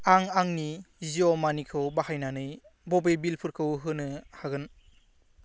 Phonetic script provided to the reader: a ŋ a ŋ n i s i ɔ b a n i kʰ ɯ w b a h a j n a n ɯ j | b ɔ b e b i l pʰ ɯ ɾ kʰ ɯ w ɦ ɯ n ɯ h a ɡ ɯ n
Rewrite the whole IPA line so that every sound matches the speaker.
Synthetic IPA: a ŋ a ŋ n i z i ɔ m a n i kʰ ɯ w b a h a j n a n ɯ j | b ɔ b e b i l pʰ ɯ ɾ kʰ ɯ w ɦ ɯ n ɯ h a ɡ ɯ n